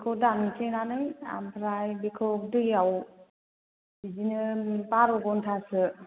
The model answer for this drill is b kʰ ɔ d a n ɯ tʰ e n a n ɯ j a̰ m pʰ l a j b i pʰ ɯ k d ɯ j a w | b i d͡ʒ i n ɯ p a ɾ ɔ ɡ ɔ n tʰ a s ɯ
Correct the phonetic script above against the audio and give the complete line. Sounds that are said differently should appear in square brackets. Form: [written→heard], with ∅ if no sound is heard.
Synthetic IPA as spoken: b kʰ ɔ d a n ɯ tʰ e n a n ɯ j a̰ m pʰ [l→ɾ] a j b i [pʰ→kʰ] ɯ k d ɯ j a w | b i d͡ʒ i n ɯ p a ɾ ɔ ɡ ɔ n tʰ a s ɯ